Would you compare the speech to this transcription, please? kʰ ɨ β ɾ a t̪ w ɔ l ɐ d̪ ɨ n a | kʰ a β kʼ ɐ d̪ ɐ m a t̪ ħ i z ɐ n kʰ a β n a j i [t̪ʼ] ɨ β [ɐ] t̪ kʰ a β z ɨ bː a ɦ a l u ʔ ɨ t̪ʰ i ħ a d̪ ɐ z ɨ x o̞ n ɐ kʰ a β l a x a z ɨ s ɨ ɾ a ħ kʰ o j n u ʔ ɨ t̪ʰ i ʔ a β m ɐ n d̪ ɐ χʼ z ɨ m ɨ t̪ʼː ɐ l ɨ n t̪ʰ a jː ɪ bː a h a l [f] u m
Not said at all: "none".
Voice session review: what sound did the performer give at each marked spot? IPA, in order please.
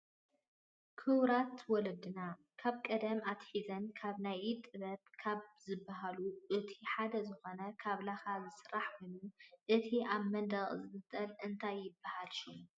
t̪ʼ, ɐ, ʃ

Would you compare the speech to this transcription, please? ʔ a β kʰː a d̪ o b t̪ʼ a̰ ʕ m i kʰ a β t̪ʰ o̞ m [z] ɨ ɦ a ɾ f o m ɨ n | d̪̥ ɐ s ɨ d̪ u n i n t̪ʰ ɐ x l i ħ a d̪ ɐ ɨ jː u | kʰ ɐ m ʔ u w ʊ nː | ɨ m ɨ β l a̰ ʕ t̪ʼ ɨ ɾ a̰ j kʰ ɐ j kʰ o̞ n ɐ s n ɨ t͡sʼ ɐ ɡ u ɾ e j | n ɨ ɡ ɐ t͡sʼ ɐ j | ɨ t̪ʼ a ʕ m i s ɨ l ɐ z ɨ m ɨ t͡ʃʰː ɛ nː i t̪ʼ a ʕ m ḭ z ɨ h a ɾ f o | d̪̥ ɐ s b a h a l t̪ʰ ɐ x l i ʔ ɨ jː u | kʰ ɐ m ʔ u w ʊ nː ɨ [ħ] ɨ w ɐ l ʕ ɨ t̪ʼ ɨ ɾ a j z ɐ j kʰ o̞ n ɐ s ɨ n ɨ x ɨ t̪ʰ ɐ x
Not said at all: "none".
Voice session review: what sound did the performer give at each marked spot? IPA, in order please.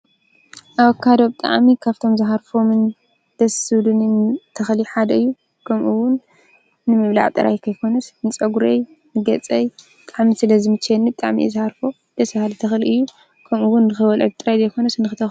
z, x

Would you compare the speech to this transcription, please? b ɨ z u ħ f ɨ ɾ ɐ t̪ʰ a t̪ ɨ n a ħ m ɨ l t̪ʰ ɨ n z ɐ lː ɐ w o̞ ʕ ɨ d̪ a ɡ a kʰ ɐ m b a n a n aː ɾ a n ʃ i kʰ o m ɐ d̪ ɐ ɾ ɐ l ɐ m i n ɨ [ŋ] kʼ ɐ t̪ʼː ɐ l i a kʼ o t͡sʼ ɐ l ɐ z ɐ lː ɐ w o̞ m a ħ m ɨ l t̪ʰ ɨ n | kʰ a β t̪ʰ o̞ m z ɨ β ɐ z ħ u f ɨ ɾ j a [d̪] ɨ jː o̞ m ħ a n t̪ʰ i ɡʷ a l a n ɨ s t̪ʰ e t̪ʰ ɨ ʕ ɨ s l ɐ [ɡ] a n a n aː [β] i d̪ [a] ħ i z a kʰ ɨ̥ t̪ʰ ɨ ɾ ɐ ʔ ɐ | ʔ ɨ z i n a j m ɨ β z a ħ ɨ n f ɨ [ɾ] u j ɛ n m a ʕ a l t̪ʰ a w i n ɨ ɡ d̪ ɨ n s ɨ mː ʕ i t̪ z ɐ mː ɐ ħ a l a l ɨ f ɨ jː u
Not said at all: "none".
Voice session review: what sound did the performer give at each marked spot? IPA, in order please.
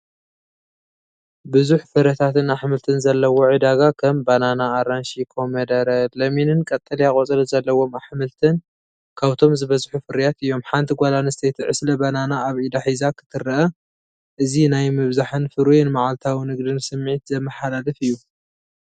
n, t̪, b, β, a, ɾ

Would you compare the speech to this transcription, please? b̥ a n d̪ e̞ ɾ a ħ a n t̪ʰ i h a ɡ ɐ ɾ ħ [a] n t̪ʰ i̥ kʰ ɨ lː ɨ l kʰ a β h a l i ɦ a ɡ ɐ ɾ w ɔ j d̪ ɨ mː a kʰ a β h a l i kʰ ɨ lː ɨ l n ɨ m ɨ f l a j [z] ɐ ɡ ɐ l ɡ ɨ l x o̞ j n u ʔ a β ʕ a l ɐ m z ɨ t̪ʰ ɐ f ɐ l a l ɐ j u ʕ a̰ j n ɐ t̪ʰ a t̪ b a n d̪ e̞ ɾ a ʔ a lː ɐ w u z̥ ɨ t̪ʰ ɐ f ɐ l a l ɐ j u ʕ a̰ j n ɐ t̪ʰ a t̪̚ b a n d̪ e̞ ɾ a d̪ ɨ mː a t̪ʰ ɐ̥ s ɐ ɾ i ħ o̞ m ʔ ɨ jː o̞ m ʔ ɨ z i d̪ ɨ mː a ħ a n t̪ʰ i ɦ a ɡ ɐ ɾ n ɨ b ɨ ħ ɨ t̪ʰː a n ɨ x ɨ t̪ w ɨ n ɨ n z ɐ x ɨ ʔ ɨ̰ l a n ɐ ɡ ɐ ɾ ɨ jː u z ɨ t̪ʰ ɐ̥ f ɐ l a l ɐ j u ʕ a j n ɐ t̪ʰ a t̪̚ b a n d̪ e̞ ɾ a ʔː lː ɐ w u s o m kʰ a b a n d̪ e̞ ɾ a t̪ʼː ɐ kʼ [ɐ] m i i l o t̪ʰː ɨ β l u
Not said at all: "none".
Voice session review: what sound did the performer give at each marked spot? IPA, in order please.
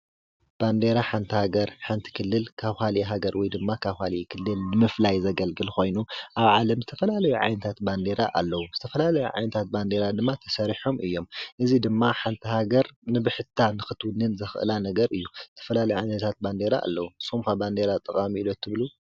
a, z, a

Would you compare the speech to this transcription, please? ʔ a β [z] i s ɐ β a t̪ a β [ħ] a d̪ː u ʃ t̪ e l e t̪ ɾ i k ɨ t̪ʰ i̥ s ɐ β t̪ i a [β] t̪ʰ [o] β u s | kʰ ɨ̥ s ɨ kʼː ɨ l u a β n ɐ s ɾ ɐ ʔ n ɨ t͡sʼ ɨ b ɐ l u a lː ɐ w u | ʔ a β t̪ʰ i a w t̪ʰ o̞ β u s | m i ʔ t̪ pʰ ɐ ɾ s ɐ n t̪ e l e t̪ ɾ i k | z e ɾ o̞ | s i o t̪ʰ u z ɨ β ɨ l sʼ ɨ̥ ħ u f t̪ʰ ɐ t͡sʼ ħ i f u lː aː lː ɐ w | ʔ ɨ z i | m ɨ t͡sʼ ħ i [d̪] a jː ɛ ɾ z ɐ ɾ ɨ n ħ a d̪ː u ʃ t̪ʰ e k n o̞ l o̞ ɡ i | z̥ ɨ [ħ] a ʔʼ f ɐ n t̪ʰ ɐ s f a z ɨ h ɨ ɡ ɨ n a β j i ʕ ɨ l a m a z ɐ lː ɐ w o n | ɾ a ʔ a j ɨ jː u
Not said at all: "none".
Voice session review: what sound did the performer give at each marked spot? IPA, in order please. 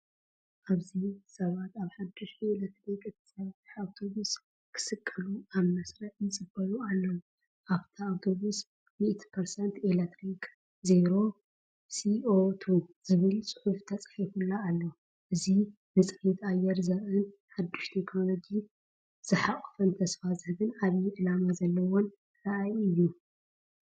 z, ħ, w, o, t̪, ħ

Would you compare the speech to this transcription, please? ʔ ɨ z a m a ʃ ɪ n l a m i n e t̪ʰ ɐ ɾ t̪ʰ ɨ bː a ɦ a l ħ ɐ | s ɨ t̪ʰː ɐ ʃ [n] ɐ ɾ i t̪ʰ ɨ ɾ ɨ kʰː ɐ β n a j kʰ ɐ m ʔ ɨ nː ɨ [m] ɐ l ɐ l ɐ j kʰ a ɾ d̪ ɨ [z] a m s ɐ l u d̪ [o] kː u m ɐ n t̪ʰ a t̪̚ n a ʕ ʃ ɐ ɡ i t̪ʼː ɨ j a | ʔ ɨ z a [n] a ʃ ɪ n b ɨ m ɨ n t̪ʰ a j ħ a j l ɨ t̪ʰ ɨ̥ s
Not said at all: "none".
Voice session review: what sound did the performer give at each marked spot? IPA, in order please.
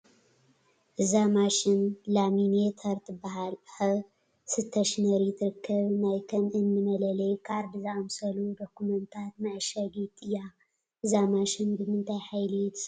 n, m, z, o, m

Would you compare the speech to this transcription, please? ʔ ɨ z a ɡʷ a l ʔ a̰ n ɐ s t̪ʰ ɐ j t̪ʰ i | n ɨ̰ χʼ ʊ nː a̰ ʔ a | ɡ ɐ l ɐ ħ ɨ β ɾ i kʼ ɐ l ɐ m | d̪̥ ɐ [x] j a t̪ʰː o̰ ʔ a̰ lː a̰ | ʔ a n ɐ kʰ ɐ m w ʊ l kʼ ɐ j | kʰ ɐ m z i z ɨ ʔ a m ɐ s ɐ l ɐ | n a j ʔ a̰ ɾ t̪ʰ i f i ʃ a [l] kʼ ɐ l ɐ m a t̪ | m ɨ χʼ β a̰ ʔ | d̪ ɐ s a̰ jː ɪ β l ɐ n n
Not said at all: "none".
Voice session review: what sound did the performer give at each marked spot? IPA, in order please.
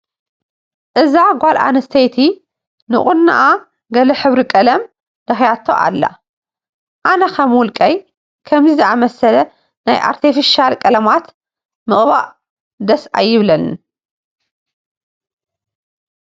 x, l

